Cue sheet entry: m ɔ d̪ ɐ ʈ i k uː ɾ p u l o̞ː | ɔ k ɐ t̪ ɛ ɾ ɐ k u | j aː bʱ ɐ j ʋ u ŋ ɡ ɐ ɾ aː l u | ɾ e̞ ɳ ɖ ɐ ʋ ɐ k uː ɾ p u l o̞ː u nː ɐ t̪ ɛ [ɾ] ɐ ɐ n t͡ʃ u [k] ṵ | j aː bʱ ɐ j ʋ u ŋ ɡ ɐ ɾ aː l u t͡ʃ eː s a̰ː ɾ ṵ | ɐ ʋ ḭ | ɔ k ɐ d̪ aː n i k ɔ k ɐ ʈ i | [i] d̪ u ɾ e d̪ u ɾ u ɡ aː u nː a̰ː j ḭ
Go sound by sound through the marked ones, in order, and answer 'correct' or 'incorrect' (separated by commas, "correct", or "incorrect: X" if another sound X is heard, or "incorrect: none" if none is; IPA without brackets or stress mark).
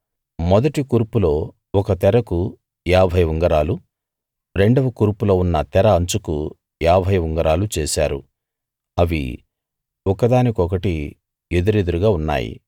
correct, correct, incorrect: e